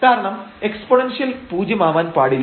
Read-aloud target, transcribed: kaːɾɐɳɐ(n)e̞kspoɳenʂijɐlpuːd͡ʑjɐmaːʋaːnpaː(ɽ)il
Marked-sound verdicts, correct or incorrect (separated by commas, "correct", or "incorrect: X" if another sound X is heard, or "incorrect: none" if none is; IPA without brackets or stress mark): incorrect: m, correct